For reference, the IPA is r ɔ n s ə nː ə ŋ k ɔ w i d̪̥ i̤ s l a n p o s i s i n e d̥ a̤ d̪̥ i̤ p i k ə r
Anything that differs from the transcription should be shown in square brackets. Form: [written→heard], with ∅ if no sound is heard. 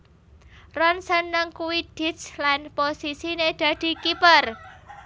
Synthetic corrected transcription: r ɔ n s ə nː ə ŋ k [ɔ→u] w i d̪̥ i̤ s l a n p o s i s i n e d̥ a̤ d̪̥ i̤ [p→k] i [k→p] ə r